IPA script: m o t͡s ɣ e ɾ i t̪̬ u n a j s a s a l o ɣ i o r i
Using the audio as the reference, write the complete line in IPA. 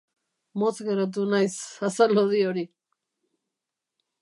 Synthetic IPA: m o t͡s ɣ e ɾ a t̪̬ u n a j s a s a l o ð i o ɾ i